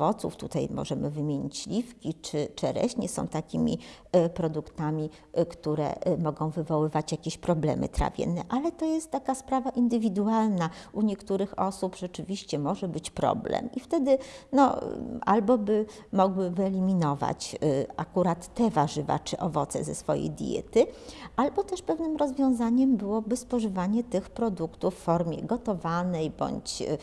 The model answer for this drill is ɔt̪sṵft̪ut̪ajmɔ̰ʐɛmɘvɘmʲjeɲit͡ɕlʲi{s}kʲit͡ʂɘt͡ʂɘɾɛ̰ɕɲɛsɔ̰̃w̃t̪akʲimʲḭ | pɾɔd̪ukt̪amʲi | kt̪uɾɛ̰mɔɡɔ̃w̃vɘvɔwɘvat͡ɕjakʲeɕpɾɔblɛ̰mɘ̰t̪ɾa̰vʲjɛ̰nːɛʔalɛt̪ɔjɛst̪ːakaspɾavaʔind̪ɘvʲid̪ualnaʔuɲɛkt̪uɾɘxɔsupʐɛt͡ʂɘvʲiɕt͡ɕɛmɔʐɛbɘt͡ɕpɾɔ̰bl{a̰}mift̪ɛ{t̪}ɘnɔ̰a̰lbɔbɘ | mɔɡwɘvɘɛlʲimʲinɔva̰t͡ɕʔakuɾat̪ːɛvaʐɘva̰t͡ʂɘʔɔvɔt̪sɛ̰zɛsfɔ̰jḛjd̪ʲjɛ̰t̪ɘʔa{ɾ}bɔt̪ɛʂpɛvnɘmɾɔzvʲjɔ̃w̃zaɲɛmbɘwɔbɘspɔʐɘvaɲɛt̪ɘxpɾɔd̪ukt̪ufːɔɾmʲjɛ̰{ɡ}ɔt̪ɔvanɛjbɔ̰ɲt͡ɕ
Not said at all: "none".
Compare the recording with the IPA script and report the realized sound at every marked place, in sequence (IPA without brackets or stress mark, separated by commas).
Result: f, ɛ̰, d̪, l, ɡ